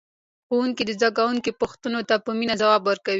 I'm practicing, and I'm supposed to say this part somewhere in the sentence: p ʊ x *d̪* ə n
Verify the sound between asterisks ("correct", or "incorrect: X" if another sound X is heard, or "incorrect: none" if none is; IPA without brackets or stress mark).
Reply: incorrect: t̪